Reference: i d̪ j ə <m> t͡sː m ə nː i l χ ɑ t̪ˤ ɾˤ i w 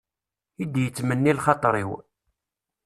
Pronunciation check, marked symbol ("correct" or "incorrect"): incorrect